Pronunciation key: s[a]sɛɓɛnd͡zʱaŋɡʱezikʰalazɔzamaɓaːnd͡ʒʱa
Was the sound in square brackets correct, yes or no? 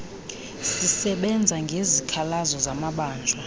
no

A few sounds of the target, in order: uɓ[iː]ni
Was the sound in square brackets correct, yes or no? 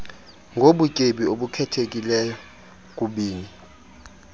yes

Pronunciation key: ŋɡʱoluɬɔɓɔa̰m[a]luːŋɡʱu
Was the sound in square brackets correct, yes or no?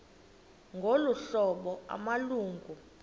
yes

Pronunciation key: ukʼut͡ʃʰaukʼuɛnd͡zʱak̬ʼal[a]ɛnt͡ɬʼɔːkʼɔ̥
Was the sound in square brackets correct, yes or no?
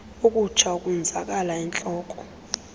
yes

